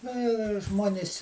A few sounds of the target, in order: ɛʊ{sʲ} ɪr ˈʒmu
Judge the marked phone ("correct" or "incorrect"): incorrect